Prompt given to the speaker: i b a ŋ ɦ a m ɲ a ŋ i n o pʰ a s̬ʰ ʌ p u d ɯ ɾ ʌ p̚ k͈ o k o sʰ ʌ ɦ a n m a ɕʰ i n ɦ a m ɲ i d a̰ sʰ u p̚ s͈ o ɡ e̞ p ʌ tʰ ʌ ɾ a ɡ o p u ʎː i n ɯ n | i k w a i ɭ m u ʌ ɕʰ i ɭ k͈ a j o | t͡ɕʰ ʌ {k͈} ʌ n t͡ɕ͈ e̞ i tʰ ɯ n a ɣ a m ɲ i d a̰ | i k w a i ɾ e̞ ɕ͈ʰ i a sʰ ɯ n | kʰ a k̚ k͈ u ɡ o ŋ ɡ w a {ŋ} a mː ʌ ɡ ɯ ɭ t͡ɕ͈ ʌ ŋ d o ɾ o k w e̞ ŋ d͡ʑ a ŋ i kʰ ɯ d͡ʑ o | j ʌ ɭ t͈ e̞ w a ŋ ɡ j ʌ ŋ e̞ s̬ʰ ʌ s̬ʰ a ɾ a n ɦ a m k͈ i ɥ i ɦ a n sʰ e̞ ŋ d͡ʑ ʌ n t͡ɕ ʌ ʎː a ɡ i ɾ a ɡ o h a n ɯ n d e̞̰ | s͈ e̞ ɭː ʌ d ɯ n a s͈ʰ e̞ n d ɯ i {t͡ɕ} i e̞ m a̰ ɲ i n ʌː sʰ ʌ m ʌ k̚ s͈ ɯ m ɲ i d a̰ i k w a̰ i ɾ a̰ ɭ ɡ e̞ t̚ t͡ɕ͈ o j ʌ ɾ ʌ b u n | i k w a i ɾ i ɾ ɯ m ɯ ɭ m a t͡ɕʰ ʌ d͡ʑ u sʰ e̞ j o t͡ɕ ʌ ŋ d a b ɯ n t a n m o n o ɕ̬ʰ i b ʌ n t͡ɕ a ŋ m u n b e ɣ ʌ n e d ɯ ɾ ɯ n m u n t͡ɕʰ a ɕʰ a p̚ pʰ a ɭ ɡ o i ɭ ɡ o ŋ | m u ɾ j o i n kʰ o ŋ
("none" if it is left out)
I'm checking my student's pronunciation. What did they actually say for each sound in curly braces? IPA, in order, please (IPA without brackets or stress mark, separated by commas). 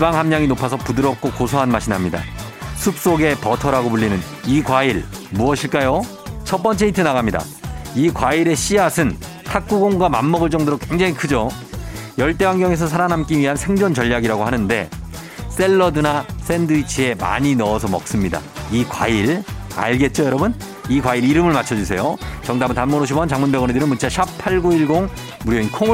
p͈, m, t͡ɕʰ